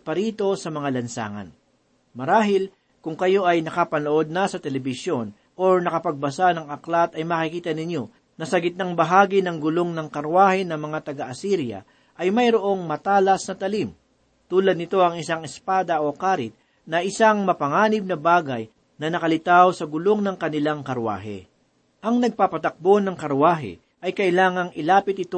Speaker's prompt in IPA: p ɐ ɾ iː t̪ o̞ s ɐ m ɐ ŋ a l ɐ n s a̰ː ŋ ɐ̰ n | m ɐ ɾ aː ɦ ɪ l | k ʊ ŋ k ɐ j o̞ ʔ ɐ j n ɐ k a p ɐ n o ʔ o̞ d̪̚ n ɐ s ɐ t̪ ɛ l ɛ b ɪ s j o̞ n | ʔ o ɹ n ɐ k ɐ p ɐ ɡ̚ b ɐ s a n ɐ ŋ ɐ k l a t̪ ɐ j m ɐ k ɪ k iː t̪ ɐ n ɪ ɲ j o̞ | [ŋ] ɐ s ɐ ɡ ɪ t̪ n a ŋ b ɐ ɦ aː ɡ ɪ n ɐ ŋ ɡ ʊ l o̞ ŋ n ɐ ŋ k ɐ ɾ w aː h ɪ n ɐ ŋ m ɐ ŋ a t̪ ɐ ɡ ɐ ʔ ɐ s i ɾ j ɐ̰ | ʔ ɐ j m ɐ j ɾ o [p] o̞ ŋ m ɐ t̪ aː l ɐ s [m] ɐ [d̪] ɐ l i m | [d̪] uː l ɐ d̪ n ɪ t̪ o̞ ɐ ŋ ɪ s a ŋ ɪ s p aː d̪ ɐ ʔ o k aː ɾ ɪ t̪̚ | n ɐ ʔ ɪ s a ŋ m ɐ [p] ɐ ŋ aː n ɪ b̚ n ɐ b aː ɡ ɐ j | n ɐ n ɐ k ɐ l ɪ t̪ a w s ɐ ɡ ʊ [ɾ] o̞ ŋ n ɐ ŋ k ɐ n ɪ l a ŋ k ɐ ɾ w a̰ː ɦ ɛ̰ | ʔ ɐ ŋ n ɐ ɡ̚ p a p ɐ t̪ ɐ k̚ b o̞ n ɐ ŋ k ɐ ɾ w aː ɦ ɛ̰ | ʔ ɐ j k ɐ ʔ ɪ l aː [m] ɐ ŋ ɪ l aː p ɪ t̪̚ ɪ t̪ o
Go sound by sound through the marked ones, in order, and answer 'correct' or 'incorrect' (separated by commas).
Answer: incorrect, incorrect, incorrect, incorrect, incorrect, correct, incorrect, incorrect